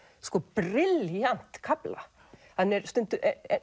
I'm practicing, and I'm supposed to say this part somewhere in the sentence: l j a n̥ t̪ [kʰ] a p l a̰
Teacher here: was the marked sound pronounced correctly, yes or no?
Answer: yes